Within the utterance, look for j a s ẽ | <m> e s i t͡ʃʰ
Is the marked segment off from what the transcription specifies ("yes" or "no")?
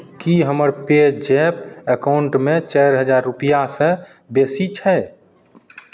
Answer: yes